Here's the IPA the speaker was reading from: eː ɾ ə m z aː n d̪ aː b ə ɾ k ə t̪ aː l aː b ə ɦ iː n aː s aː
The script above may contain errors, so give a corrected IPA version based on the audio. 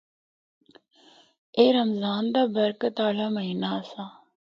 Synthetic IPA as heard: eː ɾ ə m z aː n d̪ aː b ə ɾ k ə t̪ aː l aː m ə ɦ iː n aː s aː